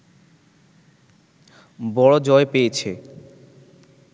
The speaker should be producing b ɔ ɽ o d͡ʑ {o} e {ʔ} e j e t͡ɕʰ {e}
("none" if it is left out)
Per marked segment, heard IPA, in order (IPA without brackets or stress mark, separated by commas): ɔ, p, e